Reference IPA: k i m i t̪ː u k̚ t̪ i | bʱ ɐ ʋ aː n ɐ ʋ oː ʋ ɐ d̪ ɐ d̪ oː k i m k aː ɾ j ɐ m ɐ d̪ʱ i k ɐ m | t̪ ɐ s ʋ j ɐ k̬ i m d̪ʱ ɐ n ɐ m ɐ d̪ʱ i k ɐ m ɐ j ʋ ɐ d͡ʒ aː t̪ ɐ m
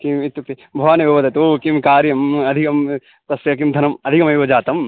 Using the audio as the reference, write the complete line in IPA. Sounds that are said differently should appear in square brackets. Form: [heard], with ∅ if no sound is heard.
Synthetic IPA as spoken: k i m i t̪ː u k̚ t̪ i | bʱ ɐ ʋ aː n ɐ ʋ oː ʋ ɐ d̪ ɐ [t̪] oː k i m k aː ɾ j ɐ m ɐ d̪ʱ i k ɐ m | t̪ ɐ s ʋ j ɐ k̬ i m d̪ʱ ɐ n ɐ m ɐ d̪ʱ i k ɐ m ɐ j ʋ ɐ d͡ʒ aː t̪ ɐ m